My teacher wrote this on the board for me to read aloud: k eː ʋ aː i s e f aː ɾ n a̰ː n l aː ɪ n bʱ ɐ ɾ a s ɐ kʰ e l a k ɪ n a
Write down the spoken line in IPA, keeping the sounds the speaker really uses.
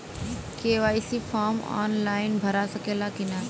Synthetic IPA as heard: k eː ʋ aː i s i f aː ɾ m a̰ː n l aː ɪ n bʱ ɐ ɾ a s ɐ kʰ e l a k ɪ n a